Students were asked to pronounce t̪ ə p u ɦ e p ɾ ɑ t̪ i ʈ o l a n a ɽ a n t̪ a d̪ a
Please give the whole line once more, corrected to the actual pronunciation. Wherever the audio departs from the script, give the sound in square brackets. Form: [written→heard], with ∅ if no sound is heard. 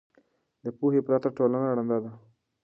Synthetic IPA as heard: [t̪→d̪] ə p u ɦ e p ɾ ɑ t̪ [i→a] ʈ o l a n a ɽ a n [t̪→d̪] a d̪ a

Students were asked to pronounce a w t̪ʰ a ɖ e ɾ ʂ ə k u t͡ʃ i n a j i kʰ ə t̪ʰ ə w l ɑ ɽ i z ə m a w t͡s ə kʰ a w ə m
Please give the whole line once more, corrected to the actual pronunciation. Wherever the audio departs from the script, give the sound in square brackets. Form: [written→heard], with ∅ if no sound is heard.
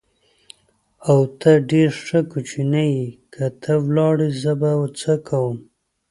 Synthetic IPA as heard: a w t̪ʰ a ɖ e ɾ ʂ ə k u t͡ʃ i n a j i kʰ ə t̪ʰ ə w l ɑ ɽ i z ə [m→b] a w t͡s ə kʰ a w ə m

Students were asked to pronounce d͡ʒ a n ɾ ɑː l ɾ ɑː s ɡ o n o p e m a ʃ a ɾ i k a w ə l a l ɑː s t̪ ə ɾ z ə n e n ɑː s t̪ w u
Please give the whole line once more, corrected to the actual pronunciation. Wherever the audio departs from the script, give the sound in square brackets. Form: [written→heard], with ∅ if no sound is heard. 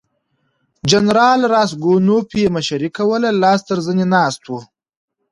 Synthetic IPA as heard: d͡ʒ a n ɾ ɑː l ɾ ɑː s ɡ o n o p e m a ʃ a ɾ i k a w ə l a l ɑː s t̪ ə ɾ z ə n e n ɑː s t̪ w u

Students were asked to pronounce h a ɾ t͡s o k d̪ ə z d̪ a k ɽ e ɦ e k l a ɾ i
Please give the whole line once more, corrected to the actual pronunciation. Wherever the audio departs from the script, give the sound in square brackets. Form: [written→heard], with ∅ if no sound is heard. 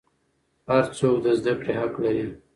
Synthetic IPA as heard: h a ɾ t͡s o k d̪ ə z d̪ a k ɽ e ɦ [e→a] k l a ɾ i

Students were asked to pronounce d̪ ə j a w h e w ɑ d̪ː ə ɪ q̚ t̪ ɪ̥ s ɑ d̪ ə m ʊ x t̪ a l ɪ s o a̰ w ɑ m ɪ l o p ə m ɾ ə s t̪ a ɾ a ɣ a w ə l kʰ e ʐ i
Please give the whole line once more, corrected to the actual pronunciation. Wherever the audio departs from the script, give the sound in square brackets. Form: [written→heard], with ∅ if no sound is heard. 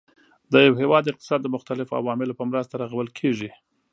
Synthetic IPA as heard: d̪ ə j a w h e w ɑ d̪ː ə ɪ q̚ t̪ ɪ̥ s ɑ [d̪→d̪ː] ə m ʊ x t̪ a l ɪ [s→f] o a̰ w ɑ m ɪ l o p ə m ɾ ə s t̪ a ɾ a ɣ a w ə l kʰ e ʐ i

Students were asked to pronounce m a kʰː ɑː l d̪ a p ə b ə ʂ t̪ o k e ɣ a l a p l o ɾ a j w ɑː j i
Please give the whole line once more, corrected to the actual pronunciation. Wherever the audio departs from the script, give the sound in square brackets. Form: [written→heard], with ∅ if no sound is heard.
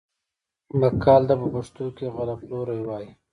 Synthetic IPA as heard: m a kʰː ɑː l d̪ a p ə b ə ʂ t̪ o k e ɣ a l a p l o ɾ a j w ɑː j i

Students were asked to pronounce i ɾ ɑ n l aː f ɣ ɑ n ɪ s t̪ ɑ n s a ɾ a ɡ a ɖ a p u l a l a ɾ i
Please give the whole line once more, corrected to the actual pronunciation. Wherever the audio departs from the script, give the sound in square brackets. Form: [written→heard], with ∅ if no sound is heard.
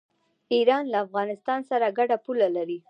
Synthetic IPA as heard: i ɾ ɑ n l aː f ɣ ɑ n ɪ s t̪ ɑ n s a ɾ a ɡ a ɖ a p u l a l a ɾ i

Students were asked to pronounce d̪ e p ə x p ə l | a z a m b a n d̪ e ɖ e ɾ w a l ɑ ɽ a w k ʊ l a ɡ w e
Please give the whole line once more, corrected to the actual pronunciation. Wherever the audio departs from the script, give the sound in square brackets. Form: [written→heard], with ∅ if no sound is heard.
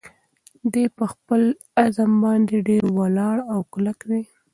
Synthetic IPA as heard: d̪ e p ə x p ə l | a z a m b [a→ɑ] n d̪ e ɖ e ɾ w a l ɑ ɽ a w k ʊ l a [ɡ→k] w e

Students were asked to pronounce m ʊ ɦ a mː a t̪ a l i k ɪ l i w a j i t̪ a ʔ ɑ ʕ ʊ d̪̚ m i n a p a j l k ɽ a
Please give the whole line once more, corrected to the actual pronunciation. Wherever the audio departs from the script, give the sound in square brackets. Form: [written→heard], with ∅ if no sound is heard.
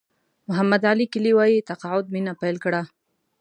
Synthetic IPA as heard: m ʊ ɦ a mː a [t̪→d̪] a l i k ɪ l i w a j i t̪ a [ʔ→q] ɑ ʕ ʊ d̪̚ m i n a p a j l k ɽ a

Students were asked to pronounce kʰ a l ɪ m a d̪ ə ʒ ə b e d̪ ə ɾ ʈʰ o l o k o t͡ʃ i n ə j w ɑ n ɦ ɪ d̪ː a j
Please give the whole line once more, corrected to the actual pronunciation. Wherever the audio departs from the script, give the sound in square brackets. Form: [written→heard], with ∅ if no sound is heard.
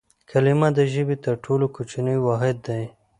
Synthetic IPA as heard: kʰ a l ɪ m a d̪ ə ʒ ə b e [d̪→t̪] ə ɾ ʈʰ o l o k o t͡ʃ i n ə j w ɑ [n→∅] ɦ ɪ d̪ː a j

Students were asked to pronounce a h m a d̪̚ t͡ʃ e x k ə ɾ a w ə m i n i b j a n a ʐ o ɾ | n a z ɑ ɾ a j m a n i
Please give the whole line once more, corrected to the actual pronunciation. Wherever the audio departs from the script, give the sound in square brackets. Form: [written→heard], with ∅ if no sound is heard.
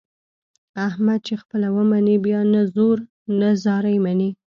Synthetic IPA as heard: a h m a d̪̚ t͡ʃ e x [k→p] ə [ɾ→l] a w ə m [i→a] n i b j [a→ɑ] n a [ʐ→z] o ɾ | n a z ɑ ɾ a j m a n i

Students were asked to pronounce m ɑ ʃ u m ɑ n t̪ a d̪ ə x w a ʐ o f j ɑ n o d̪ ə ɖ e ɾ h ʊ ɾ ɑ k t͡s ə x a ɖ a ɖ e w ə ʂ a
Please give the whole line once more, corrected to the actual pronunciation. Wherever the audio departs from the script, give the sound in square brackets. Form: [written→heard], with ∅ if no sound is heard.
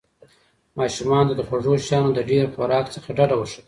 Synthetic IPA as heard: m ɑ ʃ u m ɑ n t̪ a d̪ ə x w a ʐ o [f→ʃ] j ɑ n o d̪ ə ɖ e ɾ [h→x] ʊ ɾ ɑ k t͡s ə x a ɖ a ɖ [e→a] w ə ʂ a

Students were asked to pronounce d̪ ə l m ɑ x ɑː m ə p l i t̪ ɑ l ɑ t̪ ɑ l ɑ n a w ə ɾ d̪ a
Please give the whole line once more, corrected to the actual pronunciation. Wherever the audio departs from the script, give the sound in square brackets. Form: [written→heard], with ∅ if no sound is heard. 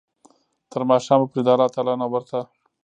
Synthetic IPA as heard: [d̪→t̪] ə [l→ɾ] m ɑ [x→ʃ] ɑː m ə p [l→ɾ] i [t̪→d̪] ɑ l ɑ t̪ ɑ l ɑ n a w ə ɾ [d̪→t̪] a

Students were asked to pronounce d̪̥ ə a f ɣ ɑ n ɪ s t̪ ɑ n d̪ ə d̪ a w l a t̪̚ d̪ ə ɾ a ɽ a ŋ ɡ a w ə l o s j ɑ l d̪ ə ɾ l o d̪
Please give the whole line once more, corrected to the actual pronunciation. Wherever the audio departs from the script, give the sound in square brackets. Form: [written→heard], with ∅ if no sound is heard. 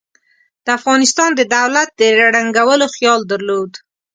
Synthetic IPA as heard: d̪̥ ə a f ɣ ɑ n ɪ s t̪ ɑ n d̪ ə d̪ a w l a t̪̚ d̪ ə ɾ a ɽ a ŋ ɡ a w ə l o [s→x] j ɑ l d̪ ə ɾ l o d̪

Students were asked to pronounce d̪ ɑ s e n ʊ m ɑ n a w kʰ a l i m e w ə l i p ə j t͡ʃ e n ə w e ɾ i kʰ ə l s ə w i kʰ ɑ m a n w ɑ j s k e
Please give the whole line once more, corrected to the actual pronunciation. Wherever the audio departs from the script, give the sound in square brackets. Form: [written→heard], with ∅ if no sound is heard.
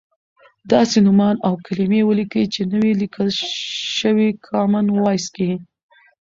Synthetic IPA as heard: d̪ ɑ s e n ʊ m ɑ n a w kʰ a l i m e w ə l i [p→k] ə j t͡ʃ e n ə w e [ɾ→l] i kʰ ə l [s→ʃ] ə w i kʰ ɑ m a n w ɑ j s k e

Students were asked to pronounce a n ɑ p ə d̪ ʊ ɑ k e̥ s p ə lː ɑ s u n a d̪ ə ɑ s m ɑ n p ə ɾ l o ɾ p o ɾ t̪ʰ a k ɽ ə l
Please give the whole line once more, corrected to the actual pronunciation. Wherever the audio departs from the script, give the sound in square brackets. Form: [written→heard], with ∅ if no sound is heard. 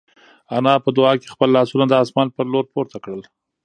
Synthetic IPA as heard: a n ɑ p ə d̪ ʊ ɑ k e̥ [s→x] p ə lː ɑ s u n a d̪ ə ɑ s m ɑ n p ə ɾ l o ɾ p o ɾ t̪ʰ a k ɽ ə l

